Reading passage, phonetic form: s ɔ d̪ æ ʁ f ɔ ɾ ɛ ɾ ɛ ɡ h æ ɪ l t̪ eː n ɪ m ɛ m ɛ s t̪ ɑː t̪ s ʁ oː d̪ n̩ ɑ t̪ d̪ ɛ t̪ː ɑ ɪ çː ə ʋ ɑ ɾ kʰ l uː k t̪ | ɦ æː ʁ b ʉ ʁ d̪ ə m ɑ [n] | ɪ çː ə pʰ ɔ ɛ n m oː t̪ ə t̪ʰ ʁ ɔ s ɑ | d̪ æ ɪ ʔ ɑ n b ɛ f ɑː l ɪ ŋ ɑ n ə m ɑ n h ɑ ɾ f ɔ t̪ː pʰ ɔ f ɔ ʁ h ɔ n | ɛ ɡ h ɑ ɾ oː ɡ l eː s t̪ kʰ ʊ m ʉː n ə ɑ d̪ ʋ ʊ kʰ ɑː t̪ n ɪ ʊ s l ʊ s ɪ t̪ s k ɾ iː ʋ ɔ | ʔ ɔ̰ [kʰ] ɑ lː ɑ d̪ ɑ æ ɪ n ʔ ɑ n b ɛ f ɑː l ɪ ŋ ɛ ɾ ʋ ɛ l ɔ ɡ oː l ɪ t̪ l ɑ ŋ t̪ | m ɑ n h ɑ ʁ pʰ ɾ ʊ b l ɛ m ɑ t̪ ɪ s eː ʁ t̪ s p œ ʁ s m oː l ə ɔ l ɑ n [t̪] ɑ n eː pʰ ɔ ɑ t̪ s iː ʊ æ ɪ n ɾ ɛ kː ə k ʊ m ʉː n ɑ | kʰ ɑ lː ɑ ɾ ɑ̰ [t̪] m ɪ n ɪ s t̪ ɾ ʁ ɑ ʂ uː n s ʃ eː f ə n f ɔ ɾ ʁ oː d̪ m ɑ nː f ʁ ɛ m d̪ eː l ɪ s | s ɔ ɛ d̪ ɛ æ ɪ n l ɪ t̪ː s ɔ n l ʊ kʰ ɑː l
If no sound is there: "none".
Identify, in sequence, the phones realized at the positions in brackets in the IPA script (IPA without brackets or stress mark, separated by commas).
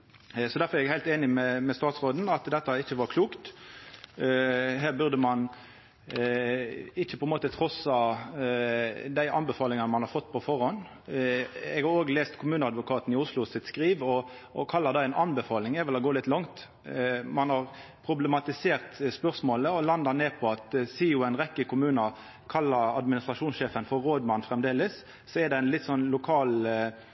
n, kʰ, d̪, d̪